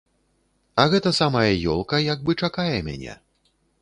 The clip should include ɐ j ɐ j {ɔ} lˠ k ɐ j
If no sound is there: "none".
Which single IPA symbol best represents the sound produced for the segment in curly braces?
ɔ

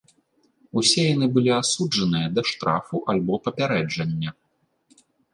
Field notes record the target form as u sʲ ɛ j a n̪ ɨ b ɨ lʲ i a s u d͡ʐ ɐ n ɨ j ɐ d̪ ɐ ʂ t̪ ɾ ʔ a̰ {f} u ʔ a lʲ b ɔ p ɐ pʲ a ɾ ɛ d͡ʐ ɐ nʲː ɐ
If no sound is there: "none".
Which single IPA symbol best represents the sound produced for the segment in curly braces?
f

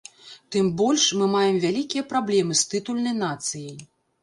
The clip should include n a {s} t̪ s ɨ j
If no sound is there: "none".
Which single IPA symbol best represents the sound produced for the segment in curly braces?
none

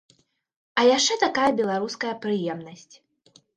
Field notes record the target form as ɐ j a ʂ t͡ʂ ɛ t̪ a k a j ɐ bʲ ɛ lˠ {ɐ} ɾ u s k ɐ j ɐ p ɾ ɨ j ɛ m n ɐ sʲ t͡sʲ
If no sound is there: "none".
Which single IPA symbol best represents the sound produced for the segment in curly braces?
a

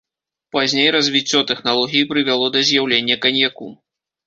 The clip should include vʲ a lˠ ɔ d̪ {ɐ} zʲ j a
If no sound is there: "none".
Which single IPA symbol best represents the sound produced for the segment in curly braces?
ɐ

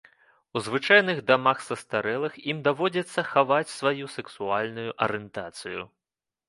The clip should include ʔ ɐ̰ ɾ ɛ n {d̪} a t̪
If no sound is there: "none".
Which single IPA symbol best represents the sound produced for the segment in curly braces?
t̪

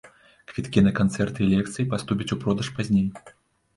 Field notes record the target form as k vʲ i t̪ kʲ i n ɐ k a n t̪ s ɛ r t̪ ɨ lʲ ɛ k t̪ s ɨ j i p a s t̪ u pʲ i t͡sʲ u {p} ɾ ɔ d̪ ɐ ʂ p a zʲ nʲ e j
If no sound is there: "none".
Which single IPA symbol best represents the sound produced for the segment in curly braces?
p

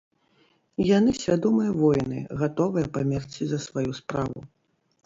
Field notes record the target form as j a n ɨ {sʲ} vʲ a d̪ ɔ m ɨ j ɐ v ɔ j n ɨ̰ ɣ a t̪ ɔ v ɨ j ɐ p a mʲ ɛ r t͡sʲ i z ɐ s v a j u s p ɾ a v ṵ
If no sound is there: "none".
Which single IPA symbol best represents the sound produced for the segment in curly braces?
sʲ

